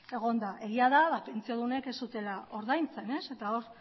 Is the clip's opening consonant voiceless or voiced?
voiced